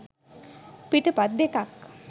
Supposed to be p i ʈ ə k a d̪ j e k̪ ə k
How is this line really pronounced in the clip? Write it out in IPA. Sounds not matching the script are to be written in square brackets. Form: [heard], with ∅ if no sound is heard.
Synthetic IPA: p i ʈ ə [p] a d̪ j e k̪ [a] k